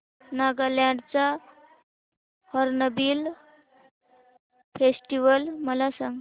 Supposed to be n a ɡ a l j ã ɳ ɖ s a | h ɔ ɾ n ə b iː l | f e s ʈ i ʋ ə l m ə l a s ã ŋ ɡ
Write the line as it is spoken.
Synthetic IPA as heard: n a ɡ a l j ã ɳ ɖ t͡s a | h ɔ ɾ n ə b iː l | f e s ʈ i ʋ ə l m ə l a s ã ŋ ɡ